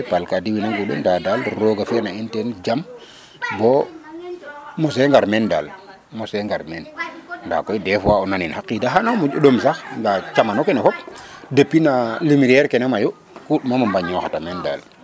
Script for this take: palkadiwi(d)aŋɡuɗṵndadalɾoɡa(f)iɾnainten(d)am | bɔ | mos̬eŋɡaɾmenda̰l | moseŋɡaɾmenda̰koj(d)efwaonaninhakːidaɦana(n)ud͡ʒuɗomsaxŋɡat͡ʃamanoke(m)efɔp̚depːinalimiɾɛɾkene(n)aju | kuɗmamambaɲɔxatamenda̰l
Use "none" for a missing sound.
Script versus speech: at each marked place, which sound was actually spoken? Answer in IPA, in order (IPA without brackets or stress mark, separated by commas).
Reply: n, f, d͡ʒ, d, m, n, m